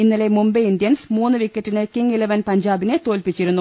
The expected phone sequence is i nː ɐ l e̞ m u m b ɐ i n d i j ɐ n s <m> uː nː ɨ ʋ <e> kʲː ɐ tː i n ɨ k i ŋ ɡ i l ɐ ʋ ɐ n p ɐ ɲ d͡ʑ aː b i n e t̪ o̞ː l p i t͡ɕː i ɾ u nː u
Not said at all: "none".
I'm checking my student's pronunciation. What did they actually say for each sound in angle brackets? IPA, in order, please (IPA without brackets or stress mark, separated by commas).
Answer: m, i